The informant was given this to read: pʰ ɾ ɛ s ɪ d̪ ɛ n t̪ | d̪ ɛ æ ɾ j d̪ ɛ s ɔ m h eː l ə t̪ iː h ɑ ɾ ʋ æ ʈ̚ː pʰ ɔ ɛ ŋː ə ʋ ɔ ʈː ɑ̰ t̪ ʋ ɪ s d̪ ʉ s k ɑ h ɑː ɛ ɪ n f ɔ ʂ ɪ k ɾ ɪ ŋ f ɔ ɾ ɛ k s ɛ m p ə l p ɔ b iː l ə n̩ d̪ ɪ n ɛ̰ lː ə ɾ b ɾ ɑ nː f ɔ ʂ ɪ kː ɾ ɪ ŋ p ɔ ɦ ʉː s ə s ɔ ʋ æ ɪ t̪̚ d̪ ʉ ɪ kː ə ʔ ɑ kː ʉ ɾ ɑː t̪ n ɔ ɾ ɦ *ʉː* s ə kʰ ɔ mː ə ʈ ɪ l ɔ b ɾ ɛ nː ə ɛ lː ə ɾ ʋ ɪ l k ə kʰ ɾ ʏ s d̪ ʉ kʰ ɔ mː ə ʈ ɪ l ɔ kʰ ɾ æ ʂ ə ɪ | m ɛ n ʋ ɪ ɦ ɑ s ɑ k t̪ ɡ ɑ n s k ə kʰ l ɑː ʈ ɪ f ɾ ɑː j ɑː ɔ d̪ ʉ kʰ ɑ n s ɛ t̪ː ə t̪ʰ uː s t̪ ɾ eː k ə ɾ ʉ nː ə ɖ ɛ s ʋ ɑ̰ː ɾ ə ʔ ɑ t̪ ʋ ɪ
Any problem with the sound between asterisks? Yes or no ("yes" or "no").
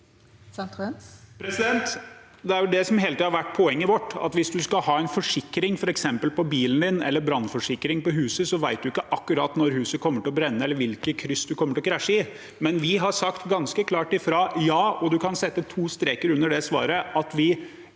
no